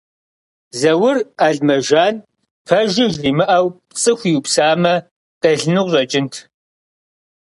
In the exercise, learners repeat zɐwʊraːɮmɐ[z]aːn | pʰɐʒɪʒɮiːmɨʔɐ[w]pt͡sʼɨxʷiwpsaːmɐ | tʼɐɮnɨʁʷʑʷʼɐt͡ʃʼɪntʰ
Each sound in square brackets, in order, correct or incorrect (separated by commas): incorrect, correct